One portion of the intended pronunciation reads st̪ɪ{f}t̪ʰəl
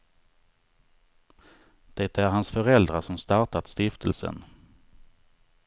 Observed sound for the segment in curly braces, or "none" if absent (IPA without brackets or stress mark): f